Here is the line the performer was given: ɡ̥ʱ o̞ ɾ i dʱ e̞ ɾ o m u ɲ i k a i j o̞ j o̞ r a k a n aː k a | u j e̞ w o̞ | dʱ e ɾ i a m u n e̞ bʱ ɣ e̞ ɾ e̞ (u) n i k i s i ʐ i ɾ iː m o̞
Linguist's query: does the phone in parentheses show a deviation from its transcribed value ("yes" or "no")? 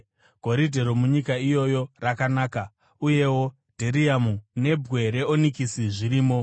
yes